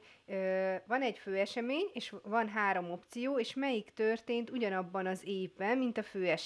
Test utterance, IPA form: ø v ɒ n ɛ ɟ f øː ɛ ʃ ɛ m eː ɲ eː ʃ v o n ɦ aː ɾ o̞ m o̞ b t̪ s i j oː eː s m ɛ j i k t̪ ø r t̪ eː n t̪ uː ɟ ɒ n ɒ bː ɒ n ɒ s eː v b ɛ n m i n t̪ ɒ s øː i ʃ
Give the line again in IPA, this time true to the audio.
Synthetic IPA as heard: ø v ɒ n ɛ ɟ f øː ɛ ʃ ɛ m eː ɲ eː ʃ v ɒ n ɦ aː ɾ o̞ m o̞ p t̪ s i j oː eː ʃ m ɛ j i k t̪ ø r t̪ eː n t̪ u ɟ ɒ n ɒ bː ɒ n ɒ z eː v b ɛ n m i n t̪ ɒ f øː ɛ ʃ